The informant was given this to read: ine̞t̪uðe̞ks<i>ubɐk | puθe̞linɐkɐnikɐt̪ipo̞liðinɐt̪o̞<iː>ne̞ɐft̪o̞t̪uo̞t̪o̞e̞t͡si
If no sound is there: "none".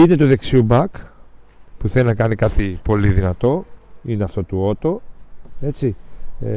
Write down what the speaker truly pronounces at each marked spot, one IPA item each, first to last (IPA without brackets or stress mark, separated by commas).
i, i